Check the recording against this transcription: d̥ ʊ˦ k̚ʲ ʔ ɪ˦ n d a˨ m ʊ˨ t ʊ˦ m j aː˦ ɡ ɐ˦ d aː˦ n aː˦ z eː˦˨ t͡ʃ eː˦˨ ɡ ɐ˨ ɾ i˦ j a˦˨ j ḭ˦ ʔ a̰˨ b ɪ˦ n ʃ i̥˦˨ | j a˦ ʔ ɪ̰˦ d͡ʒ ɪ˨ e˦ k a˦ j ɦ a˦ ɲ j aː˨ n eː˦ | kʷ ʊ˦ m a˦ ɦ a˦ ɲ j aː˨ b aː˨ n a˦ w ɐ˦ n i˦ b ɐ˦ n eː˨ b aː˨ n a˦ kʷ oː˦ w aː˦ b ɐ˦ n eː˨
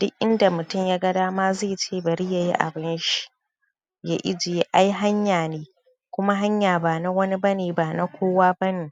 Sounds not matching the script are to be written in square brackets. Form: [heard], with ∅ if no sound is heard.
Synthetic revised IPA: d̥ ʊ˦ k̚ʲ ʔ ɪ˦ n d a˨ m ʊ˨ t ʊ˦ m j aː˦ ɡ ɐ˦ d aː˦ [m] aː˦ z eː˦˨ t͡ʃ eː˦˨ [b] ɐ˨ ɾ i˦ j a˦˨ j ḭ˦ ʔ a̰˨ b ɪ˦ n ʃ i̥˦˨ | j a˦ ʔ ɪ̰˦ d͡ʒ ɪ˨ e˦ [ʔ] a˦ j ɦ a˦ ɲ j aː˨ n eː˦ | kʷ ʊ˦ m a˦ ɦ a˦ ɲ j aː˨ b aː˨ n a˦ w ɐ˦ n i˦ b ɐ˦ n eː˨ b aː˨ n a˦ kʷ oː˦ w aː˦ b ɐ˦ n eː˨

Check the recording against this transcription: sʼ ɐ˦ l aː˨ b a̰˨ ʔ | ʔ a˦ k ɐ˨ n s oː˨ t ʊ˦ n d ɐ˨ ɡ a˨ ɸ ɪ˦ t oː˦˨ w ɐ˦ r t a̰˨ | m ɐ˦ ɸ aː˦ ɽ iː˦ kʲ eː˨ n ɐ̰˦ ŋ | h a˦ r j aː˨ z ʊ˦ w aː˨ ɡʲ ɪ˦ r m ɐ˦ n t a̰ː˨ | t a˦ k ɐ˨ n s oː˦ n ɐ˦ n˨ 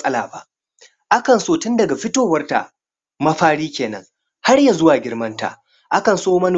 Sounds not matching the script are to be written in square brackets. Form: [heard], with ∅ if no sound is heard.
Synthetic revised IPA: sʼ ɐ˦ l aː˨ b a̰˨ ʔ | ʔ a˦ k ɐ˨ n s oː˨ t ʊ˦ n d ɐ˨ ɡ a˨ ɸ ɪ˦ t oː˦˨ w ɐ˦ r t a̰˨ | m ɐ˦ ɸ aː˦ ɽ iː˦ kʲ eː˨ n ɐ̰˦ ŋ | h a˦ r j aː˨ z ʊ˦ w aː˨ ɡʲ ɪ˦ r m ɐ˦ n t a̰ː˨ | [ʔ] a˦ k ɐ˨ n s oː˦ [m] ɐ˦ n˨

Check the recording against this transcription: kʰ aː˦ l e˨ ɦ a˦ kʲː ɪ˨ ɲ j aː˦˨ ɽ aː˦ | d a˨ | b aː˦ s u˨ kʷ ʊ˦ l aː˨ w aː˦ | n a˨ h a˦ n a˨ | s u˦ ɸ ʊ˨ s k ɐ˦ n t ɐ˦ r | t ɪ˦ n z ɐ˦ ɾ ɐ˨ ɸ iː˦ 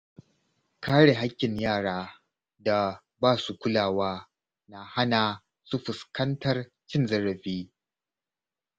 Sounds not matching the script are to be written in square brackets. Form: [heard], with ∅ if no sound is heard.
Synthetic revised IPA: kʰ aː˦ [ɽ] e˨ ɦ a˦ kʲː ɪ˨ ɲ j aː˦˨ ɽ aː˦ | d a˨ | b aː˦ s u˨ kʷ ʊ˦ l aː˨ w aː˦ | n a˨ h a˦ n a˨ | s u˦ ɸ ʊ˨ s k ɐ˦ n t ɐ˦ r | [t͡ʃ] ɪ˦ n z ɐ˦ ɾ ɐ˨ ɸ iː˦

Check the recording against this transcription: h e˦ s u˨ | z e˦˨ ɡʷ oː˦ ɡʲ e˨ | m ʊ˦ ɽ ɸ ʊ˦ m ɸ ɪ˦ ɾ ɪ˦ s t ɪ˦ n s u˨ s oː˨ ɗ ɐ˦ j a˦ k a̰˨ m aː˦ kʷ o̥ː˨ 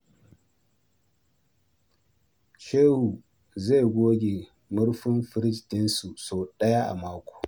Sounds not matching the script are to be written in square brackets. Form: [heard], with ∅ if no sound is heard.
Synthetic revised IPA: [ʃ] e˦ [h] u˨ | z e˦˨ ɡʷ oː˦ ɡʲ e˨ | m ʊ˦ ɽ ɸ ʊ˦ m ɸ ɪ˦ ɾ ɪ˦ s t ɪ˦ n s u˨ s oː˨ ɗ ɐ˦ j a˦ [ʔ] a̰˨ m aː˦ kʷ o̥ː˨

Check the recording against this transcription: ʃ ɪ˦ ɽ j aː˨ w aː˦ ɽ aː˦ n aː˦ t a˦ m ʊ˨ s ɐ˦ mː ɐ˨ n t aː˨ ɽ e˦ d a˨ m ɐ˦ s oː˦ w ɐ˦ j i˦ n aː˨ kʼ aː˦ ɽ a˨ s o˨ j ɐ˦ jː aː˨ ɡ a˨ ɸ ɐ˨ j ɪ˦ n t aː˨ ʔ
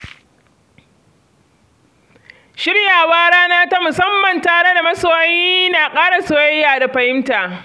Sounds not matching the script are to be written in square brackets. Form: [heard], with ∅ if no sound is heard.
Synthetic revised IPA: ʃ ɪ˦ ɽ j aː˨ w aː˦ ɽ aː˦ n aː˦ t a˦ m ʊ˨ s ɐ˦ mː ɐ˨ n t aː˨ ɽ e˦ d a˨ m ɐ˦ s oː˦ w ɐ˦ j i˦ n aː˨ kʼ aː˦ ɽ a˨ s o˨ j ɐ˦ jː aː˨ [d] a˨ ɸ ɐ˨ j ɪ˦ [m] t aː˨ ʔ

